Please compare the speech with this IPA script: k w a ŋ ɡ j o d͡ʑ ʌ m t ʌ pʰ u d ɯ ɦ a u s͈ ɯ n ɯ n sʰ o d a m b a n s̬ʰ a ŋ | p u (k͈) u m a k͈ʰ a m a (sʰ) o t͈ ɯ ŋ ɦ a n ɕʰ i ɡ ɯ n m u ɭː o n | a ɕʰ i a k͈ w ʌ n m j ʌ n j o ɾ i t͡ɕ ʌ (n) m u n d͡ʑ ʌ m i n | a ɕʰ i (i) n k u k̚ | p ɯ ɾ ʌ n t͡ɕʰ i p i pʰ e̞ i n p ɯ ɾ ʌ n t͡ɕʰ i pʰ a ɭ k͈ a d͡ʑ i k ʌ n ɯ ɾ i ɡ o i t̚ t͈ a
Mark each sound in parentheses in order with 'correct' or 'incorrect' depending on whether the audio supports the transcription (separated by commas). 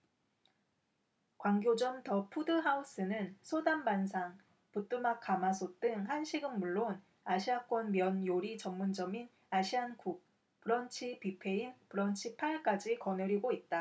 incorrect, correct, incorrect, incorrect